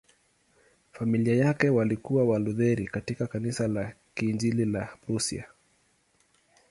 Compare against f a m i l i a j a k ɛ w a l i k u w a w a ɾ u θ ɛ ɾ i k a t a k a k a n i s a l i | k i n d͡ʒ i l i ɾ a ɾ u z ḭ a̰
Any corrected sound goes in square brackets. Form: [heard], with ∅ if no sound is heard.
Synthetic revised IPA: f a m i l i a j a k ɛ w a l i k u w a w a [l] u [ð] ɛ ɾ i k a t [i] k a k a n i s a l [a] | k i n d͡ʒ i l i [l] a ɾ u [s] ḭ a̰